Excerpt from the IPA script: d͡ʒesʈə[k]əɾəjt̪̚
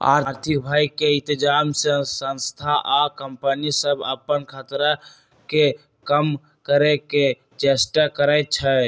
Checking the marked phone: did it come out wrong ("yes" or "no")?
no